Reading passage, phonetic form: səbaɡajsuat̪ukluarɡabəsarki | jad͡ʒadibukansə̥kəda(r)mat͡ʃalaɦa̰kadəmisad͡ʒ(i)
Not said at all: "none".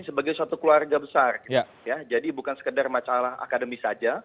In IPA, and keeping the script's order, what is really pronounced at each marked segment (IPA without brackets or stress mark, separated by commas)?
r, a